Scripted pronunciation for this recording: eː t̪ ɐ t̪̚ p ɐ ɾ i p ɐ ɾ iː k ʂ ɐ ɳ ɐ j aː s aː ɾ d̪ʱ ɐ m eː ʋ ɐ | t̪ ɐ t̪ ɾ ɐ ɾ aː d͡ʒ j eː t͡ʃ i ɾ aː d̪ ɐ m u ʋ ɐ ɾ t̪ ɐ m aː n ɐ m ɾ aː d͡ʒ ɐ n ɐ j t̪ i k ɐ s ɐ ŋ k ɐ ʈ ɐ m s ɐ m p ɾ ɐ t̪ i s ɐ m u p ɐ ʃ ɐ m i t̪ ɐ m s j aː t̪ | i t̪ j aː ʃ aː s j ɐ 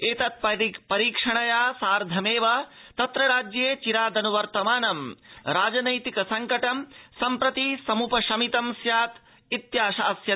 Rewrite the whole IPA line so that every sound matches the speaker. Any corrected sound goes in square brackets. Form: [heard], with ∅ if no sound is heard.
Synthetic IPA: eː t̪ ɐ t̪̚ p ɐ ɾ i p ɐ ɾ iː k ʂ ɐ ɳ ɐ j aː s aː ɾ d̪ʱ ɐ m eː ʋ ɐ | t̪ ɐ t̪ ɾ ɐ ɾ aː d͡ʒ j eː t͡ʃ i ɾ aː d̪ ɐ [n] u ʋ ɐ ɾ t̪ ɐ m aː n ɐ m ɾ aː d͡ʒ ɐ n ɐ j t̪ i k ɐ s ɐ ŋ k ɐ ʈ ɐ m s ɐ m p ɾ ɐ t̪ i s ɐ m u p ɐ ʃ ɐ m i t̪ ɐ m s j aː t̪ | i t̪ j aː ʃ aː s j ɐ